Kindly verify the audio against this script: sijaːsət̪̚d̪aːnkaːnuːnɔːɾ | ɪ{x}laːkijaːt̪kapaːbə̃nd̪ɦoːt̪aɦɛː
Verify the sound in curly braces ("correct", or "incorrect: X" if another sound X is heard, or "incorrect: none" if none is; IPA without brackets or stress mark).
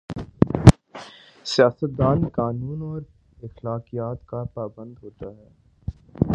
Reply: correct